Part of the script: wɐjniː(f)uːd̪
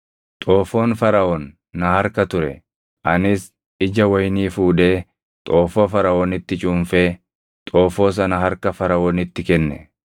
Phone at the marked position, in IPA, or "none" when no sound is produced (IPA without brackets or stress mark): f